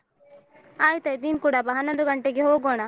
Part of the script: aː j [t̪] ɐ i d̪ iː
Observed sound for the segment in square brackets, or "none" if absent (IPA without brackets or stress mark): t̪